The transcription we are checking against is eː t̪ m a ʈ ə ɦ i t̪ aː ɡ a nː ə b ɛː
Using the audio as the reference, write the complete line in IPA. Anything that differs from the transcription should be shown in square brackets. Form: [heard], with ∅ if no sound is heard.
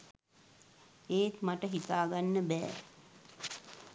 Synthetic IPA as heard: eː t̪ m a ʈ ə ɦ i t̪ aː ɡ a nː ə b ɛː